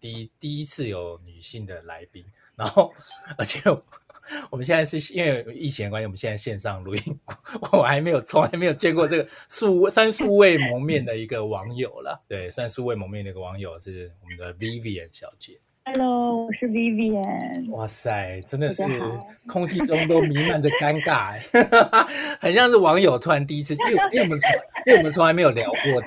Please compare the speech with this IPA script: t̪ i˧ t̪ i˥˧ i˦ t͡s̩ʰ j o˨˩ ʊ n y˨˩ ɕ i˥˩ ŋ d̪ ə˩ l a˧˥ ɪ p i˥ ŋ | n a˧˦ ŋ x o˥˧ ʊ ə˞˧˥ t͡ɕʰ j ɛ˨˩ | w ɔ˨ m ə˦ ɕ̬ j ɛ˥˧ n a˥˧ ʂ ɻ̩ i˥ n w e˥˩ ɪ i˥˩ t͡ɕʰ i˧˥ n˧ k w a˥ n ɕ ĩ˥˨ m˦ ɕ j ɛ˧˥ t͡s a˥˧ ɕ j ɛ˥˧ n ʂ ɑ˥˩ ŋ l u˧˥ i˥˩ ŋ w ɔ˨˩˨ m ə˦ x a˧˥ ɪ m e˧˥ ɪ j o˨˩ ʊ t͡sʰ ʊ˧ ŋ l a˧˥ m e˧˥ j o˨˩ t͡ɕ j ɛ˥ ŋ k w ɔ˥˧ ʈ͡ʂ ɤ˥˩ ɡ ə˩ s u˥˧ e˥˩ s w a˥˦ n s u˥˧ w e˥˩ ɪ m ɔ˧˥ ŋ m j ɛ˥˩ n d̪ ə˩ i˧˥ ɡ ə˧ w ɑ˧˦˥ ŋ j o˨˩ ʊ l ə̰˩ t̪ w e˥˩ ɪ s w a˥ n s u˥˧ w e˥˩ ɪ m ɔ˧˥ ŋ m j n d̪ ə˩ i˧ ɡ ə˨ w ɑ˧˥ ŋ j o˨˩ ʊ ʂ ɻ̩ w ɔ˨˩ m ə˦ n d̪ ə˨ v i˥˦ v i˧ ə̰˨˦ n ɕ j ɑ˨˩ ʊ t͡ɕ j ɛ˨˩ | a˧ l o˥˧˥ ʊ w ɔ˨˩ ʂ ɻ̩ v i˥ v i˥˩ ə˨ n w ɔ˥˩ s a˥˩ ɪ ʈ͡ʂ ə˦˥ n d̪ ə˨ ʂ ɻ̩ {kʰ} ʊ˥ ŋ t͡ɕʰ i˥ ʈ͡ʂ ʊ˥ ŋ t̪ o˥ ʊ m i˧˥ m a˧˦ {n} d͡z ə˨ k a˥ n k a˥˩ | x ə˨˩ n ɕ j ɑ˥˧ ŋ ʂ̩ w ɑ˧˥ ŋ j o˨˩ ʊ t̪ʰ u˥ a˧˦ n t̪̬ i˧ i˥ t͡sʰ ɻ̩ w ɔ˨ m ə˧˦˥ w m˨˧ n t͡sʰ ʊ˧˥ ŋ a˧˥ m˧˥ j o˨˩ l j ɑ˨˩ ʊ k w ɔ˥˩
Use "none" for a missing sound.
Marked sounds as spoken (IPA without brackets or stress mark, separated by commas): kʰ, n